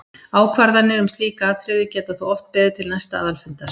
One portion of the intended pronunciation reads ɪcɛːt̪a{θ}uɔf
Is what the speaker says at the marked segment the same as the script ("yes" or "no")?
yes